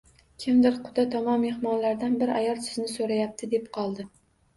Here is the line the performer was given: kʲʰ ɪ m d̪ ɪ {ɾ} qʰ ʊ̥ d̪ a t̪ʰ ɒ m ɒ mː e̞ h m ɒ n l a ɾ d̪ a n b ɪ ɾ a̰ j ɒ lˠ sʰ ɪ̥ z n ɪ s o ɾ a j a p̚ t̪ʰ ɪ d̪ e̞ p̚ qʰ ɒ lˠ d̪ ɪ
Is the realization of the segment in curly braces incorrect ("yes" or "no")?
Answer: no